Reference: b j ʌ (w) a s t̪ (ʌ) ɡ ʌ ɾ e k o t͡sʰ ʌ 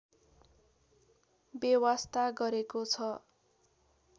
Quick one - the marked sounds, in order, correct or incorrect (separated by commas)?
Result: correct, incorrect